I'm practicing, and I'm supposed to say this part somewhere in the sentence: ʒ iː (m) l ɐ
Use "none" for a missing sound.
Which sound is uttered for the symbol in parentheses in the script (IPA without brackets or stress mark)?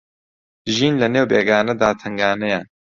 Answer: n